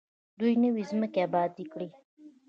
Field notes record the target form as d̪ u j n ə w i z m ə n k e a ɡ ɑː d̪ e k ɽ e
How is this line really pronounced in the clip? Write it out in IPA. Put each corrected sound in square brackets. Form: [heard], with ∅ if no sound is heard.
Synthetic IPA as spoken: d̪ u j n ə w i z m ə [∅] k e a [b] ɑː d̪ [i] k ɽ [i]